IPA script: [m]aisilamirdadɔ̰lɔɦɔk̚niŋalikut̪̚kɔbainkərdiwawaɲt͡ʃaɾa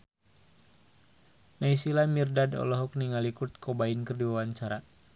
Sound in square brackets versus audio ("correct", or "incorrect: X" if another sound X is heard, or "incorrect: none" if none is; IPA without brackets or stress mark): incorrect: n